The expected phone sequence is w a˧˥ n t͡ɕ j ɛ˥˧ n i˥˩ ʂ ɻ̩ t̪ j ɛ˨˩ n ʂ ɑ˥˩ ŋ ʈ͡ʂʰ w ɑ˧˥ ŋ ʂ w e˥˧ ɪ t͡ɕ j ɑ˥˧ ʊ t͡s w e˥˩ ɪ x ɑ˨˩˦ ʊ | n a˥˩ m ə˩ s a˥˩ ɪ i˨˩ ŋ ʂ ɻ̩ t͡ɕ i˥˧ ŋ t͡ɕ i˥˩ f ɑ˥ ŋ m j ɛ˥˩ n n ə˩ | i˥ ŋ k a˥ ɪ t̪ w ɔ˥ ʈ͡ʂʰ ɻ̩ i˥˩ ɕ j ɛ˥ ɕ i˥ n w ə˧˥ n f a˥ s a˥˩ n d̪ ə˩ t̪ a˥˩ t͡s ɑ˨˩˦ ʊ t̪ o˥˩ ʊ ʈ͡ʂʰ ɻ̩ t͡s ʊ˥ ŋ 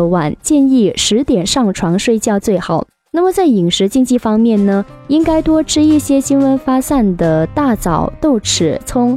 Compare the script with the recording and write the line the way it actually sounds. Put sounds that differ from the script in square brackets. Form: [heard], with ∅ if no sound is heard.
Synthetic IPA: w [a˨˩] n t͡ɕ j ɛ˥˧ n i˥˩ ʂ ɻ̩ t̪ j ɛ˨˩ n ʂ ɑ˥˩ ŋ ʈ͡ʂʰ w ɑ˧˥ ŋ ʂ w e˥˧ ɪ t͡ɕ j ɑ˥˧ ʊ t͡s w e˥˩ ɪ x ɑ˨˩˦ ʊ | n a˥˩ m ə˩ [t͡s] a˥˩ ɪ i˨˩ ŋ ʂ ɻ̩ t͡ɕ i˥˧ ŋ t͡ɕ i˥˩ f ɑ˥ ŋ m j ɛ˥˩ n n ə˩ | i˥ ŋ k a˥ ɪ t̪ w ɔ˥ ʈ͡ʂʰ ɻ̩ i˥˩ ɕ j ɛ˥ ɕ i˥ n w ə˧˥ n f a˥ s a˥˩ n d̪ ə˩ t̪ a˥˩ t͡s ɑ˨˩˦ ʊ t̪ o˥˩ ʊ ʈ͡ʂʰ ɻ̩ [t͡sʰ] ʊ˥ ŋ